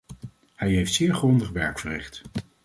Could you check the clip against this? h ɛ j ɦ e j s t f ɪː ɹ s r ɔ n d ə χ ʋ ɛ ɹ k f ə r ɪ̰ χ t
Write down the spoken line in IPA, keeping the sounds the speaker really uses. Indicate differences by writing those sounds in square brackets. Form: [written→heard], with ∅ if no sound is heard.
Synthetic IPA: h ɛ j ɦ e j [s→f] t [f→s] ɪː ɹ [s→χ] r ɔ n d ə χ ʋ ɛ ɹ k f ə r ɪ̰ χ t